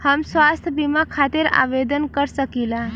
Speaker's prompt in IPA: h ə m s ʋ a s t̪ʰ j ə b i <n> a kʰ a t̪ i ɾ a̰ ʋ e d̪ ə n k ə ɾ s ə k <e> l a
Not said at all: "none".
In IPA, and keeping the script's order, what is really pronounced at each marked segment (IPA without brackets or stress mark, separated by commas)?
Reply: m, i